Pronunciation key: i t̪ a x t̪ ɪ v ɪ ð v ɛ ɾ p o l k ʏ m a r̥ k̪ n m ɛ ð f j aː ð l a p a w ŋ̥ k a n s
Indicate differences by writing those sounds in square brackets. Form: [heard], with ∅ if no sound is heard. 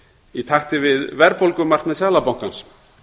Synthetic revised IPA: i [t̪ʰ] a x t̪ ɪ v ɪ ð v ɛ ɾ p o l k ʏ m a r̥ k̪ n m ɛ ð [s] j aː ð l a p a w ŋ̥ k a n s